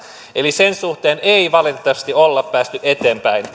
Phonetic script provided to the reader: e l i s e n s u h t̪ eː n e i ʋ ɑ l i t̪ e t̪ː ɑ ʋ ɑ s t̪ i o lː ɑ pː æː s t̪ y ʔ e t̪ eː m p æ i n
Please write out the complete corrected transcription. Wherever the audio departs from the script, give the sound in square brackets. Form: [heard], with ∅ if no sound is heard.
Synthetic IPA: e l i s e n s u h t̪ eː n e i ʋ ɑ l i t̪ e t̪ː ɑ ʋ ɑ s t̪ i o lː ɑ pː æː s t̪ y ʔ e t̪ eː m p æ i n